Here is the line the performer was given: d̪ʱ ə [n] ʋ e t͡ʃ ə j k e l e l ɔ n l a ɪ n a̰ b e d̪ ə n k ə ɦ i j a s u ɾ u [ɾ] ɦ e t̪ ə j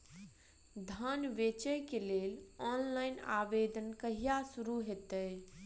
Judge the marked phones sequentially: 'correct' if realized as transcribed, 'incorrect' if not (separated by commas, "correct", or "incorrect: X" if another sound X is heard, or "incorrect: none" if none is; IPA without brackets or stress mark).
correct, incorrect: none